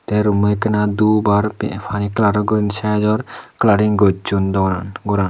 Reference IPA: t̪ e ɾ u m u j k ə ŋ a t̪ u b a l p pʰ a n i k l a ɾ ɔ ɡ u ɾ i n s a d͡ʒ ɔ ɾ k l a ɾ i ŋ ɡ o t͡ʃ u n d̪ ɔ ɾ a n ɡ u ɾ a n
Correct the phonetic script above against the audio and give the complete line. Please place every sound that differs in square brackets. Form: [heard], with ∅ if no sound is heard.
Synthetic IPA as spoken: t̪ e ɾ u m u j k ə [n] a [d̪] u b a [ɾ] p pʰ a n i k l a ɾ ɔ ɡ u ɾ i n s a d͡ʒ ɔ ɾ k l a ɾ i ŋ ɡ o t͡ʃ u n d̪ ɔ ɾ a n ɡ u ɾ a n